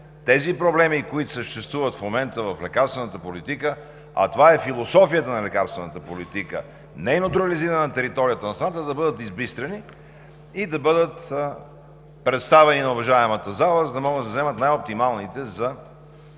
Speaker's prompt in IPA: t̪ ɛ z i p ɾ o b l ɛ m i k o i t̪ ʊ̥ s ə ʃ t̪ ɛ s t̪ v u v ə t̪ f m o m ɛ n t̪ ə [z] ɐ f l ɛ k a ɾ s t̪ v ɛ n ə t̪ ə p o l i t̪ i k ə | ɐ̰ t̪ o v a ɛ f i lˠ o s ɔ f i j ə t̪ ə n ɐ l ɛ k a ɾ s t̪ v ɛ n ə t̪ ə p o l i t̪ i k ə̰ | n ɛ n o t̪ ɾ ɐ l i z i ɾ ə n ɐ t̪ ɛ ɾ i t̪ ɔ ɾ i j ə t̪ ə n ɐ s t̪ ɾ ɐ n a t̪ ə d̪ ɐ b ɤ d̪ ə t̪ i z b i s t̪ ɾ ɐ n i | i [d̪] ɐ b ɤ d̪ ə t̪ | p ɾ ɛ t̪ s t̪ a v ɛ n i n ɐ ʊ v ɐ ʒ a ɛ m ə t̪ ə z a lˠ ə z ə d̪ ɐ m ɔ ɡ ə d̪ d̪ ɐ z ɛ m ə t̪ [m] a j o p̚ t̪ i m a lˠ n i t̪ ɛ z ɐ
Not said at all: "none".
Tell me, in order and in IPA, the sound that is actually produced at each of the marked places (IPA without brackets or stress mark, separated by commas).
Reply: v, d̪, n